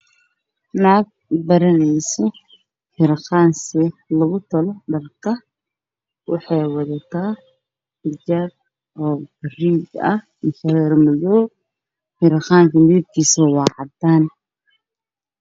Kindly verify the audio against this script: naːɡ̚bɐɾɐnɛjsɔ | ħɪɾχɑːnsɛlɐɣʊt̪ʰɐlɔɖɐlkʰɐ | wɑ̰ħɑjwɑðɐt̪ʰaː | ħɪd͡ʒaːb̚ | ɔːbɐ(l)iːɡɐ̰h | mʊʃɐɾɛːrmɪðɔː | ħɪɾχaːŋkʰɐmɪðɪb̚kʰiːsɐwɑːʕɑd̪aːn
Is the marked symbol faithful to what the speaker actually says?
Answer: no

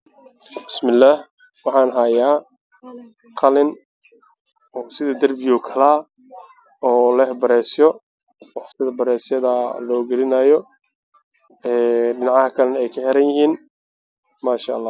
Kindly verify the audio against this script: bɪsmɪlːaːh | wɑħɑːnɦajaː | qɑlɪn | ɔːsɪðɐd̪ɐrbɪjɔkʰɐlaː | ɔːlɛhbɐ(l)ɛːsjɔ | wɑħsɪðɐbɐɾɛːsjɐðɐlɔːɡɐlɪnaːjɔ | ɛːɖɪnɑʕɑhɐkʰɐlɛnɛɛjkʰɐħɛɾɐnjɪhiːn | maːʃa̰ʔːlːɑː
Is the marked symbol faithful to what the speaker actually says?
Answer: no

